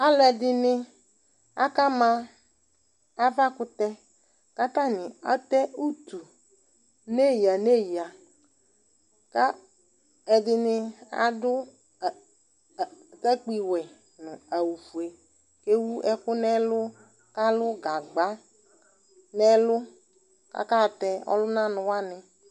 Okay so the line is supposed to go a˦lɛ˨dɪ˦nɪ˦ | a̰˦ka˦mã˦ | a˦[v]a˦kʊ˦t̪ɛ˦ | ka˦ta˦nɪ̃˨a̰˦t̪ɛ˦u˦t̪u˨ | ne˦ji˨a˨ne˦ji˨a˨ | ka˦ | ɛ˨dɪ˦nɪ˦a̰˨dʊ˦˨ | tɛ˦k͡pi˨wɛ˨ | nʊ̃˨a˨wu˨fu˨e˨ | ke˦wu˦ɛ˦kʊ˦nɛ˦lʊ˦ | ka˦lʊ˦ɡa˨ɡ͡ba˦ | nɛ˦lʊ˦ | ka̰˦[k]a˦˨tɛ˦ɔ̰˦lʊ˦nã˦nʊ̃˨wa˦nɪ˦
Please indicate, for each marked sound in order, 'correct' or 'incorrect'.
correct, correct

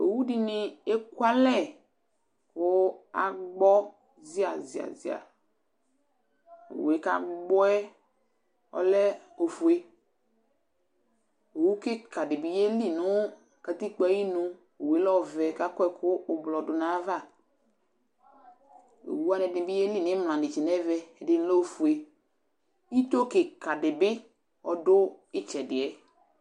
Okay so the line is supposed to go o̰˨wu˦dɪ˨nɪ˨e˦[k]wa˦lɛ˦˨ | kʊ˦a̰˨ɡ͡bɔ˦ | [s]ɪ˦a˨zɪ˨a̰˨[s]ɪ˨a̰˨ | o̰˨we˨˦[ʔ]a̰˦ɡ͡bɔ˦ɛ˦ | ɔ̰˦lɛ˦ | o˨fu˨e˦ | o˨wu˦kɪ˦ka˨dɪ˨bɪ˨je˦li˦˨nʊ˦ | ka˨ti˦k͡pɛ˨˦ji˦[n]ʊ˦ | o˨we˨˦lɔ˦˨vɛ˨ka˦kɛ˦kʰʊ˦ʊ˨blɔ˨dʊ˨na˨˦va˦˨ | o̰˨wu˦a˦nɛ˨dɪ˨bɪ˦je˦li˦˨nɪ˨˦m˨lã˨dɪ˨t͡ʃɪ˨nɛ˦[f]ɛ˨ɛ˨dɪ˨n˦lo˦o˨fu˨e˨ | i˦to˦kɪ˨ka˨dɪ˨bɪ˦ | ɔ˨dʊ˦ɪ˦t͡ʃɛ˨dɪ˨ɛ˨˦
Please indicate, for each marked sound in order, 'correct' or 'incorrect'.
correct, incorrect, incorrect, incorrect, correct, incorrect

